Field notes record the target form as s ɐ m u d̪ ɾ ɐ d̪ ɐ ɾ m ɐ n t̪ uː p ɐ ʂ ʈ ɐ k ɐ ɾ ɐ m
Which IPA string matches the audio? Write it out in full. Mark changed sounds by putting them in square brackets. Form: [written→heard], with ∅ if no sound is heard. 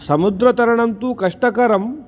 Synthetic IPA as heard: s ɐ m u d̪ ɾ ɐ [d̪→t̪] ɐ ɾ [m→ɳ] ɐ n t̪ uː [p→k] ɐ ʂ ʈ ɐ k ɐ ɾ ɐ m